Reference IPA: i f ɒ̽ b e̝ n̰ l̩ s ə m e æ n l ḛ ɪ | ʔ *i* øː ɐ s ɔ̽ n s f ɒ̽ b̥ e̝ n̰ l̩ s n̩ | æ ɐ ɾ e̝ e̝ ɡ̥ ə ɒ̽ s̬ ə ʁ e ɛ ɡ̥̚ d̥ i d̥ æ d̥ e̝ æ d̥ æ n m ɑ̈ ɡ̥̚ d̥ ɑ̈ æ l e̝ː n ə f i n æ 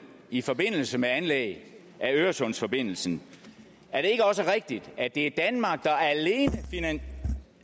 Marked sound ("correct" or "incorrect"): incorrect